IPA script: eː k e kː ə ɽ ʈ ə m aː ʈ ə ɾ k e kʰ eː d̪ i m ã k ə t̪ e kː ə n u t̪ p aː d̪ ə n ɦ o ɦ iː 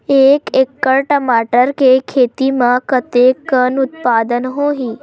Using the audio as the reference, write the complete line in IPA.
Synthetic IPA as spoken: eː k e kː ə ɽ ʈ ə m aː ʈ ə ɾ k e kʰ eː t̪ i m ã k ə t̪ e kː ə n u t̪ p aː d̪ ə n ɦ o ɦ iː